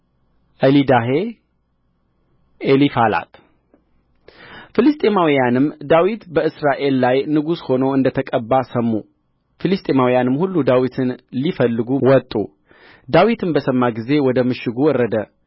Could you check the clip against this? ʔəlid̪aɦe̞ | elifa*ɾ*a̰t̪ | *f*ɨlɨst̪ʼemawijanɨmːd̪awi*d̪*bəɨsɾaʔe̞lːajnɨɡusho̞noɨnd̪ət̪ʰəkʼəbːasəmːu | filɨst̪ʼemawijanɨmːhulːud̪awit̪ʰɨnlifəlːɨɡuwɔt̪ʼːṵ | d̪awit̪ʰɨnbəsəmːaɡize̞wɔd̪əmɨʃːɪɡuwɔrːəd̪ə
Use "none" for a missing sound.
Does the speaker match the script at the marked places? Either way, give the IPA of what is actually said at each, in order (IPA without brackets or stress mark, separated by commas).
l, f, t̪